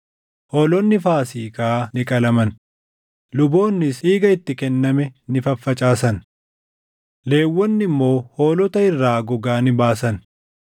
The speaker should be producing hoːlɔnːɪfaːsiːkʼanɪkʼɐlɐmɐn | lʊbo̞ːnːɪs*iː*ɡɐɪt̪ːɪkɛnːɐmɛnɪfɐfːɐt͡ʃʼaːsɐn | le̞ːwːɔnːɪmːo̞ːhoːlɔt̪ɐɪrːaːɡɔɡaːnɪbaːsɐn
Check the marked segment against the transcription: correct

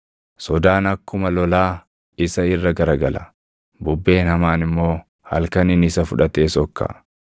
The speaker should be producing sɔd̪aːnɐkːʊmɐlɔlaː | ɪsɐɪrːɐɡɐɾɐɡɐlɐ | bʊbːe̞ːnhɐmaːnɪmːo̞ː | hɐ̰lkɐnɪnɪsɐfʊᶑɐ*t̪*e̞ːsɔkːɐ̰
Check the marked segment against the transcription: correct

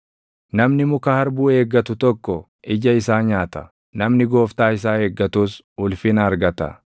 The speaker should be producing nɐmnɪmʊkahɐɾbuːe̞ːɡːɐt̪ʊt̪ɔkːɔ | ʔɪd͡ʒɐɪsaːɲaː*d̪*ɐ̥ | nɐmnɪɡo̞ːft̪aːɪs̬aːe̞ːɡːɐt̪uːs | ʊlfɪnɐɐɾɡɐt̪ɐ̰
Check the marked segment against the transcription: incorrect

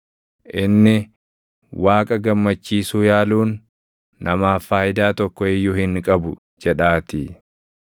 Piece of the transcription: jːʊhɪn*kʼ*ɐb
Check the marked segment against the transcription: correct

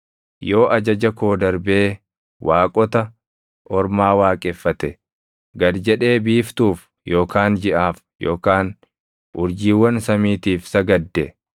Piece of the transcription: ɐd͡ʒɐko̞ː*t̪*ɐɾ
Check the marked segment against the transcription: incorrect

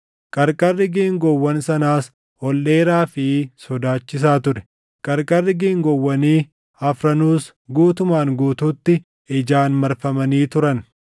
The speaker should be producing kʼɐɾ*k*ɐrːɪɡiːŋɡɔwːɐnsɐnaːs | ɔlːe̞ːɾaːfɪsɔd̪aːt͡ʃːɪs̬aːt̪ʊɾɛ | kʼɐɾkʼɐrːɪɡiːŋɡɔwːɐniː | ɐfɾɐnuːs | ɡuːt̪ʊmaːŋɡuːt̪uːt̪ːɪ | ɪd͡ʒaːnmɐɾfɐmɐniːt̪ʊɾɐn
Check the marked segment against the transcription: incorrect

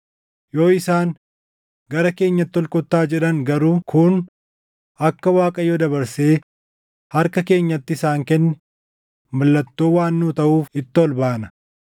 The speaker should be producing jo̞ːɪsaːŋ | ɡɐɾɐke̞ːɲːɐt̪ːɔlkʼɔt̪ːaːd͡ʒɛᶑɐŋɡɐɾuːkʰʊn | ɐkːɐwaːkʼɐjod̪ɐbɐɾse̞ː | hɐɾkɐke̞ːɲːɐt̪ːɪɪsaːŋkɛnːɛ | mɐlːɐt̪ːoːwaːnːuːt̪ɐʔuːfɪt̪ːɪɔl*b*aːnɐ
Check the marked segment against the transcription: correct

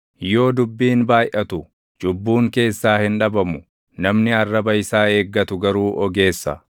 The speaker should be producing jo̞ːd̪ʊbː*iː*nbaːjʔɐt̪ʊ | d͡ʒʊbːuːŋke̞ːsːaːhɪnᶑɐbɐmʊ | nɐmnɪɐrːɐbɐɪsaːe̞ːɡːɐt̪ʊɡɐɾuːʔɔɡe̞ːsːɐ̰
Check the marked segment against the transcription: correct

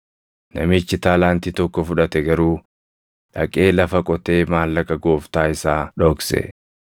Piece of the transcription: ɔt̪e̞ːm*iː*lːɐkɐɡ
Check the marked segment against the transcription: incorrect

